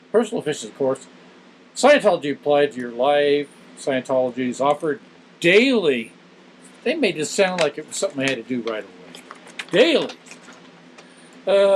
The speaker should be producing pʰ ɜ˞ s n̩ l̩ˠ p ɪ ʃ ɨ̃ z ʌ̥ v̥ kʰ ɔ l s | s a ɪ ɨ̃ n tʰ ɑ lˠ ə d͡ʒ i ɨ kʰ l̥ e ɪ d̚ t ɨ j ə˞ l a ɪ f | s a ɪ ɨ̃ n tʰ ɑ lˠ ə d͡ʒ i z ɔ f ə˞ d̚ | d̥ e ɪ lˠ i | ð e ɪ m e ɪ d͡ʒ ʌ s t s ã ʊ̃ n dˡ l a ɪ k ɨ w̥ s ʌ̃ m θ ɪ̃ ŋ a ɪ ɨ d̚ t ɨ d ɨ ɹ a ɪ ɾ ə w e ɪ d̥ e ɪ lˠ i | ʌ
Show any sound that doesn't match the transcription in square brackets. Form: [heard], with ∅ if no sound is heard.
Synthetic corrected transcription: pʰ ɜ˞ s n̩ l̩ˠ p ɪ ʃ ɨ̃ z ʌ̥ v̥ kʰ ɔ [ɹ] s | s a ɪ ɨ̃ n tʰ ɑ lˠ ə d͡ʒ i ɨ [pʰ] l̥ [a] ɪ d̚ t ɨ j ə˞ l a ɪ f | s a ɪ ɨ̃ n tʰ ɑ lˠ ə d͡ʒ i z ɔ f ə˞ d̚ | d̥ e ɪ lˠ i | ð e ɪ m e ɪ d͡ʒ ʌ s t s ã ʊ̃ n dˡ l a ɪ k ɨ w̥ s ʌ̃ m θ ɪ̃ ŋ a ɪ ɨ d̚ t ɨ d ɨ ɹ a ɪ ɾ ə w e ɪ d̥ e ɪ lˠ i | ʌ